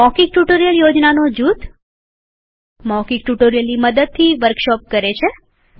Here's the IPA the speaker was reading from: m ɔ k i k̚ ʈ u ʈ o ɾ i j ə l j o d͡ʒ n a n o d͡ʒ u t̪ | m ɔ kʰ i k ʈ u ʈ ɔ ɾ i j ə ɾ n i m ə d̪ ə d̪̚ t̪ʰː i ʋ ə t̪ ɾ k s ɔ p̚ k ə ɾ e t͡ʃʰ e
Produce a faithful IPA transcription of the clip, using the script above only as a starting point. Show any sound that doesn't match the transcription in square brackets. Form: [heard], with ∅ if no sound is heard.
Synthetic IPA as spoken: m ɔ k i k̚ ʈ u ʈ o ɾ i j ə l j o d͡ʒ n a n o d͡ʒ u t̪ | m ɔ [k] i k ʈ u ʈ [o] ɾ i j ə [l] n i m ə d̪ ə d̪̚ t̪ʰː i ʋ ə [∅] ɾ k [ʃ] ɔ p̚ k ə ɾ e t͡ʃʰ e